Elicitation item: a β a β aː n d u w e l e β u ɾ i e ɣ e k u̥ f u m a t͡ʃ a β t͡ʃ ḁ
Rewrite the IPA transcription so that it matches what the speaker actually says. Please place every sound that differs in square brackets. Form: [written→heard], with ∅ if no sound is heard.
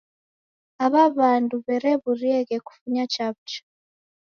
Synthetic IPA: a β a β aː n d u [w→β] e [l→ɾ] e β u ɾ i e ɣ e k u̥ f u [m→ɲ] a t͡ʃ a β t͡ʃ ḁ